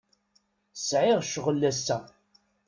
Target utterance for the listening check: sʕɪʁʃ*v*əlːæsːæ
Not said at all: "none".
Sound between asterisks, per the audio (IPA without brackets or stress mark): ʁ